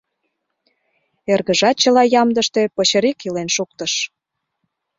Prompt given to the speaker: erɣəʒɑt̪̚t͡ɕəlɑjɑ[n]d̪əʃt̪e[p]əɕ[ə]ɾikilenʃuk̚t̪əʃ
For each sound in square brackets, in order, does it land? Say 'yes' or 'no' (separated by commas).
no, yes, yes